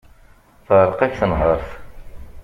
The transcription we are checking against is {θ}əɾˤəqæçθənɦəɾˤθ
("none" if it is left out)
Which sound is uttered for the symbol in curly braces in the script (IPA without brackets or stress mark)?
θ